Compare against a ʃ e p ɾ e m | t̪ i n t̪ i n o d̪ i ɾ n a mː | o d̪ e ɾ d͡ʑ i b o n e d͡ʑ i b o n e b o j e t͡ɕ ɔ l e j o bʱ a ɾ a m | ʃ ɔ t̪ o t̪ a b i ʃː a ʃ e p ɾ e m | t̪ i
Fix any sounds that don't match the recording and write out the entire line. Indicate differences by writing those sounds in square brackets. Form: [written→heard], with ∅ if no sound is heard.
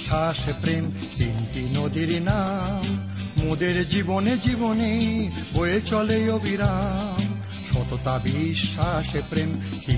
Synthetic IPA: a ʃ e p ɾ e m | t̪ i n t̪ i n o d̪ i ɾ n a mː | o d̪ e ɾ d͡ʑ i b o n e d͡ʑ i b o n e b o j e t͡ɕ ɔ l e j o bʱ [a→i] ɾ a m | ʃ ɔ t̪ o t̪ a b i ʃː a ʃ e p ɾ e m | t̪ i